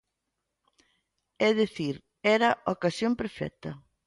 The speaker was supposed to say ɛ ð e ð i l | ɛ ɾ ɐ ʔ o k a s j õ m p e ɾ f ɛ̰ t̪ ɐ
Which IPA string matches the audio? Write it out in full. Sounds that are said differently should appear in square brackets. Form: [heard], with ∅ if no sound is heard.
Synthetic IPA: ɛ ð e [θ] i [ɾ] | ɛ ɾ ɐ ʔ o k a s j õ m p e ɾ f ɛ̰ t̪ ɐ

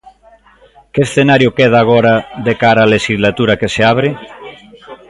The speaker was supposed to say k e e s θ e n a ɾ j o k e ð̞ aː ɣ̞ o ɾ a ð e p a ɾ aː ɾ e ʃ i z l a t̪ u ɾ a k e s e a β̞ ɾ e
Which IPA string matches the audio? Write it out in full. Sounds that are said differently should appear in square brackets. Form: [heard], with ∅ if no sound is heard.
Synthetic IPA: k e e s θ e n a ɾ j o k e ð̞ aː ɣ̞ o ɾ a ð e [k] a ɾ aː [l] e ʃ i z l a t̪ u ɾ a k e s e a β̞ ɾ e

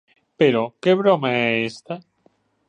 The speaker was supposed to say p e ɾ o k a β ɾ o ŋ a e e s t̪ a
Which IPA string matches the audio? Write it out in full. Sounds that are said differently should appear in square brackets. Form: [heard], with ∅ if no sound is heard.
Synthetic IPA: p e ɾ o k [e] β ɾ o [m] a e e s t̪ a

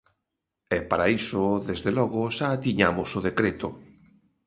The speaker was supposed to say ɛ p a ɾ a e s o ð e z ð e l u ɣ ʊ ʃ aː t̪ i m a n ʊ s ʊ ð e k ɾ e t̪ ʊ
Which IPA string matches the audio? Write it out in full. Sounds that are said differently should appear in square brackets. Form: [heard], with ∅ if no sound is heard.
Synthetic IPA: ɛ p a ɾ a [i] s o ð e z ð e l [ɔ] ɣ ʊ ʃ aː t̪ i [ɲ] a [m] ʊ s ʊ ð e k ɾ e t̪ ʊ

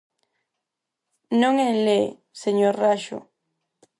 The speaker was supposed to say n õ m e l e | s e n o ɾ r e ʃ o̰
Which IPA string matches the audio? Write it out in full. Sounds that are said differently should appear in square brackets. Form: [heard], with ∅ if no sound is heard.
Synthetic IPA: n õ [ŋ] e l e | s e [ɲ] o ɾ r [a] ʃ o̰

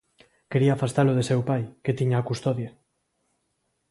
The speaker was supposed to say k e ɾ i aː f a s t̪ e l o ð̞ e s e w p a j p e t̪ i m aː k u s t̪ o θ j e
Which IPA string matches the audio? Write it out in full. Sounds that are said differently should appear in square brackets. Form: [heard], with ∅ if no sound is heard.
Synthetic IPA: k e ɾ i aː f a s t̪ [a] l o ð̞ e s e w p a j [k] e t̪ i [ɲ] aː k u s t̪ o [ð] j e

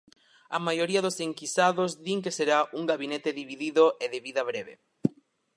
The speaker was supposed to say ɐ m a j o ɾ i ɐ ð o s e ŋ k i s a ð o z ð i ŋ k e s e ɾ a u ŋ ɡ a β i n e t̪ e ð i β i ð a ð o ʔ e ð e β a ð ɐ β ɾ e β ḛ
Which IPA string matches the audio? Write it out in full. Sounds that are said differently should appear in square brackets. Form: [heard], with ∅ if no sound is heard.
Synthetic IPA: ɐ m a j o ɾ i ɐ ð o s e ŋ k i s a ð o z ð i ŋ k e s e ɾ a u ŋ ɡ a β i n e t̪ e ð i β i ð [i] ð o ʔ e ð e β [i] ð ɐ β ɾ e β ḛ

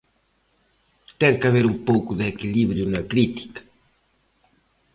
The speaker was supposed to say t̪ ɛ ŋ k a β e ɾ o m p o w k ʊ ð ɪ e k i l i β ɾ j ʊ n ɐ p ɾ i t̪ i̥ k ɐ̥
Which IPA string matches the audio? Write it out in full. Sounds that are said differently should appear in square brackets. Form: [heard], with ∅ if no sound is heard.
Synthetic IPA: t̪ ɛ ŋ k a β e ɾ [u] m p o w k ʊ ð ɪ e k i l i β ɾ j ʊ n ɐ [k] ɾ i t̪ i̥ k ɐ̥

